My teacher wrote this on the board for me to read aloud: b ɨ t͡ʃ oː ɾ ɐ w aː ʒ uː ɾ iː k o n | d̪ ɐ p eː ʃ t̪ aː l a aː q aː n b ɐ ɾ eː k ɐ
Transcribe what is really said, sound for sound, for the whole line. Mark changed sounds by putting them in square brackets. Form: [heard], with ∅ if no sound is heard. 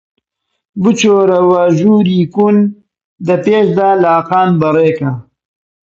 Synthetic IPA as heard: b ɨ t͡ʃ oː ɾ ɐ w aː ʒ uː ɾ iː k [u] n | d̪ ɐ p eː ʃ [d̪] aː l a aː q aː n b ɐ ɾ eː k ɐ

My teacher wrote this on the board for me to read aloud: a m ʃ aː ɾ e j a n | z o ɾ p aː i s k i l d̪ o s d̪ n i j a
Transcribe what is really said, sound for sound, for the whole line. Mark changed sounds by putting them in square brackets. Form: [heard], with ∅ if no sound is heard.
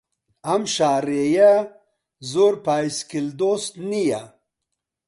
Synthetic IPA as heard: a m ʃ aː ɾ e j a [∅] | z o ɾ p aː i s k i l d̪ o s [t̪] n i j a

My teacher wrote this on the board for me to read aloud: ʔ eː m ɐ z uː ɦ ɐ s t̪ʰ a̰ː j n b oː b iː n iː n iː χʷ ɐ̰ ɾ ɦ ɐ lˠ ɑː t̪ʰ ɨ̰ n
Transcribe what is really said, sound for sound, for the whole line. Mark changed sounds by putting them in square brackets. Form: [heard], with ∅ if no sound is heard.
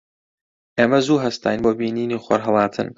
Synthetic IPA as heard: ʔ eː m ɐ z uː ɦ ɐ s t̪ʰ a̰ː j n b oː b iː n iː n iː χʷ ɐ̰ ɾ ɦ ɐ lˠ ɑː t̪ʰ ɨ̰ n

